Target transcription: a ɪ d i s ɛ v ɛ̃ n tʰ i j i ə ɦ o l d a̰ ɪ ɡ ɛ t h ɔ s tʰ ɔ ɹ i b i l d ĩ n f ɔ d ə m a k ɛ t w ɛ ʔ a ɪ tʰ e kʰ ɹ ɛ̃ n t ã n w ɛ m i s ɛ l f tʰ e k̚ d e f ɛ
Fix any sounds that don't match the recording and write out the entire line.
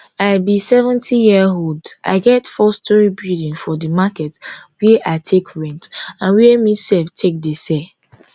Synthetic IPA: a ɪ b i s ɛ v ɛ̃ n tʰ i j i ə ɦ o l d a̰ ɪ ɡ ɛ t f ɔ s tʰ ɔ ɹ i b i l d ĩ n f ɔ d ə m a k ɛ t w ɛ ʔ a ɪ tʰ e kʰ ɹ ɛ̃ n t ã n w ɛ m i s ɛ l f tʰ e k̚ d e s ɛ